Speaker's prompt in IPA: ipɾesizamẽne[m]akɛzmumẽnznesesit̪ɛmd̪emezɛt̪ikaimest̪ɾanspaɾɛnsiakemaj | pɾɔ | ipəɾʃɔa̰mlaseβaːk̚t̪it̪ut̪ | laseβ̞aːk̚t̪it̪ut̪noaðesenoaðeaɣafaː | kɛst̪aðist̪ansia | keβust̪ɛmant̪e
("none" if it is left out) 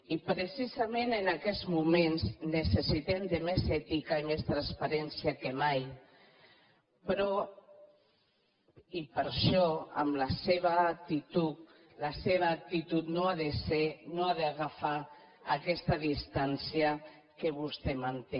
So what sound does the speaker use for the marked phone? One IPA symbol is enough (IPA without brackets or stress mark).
n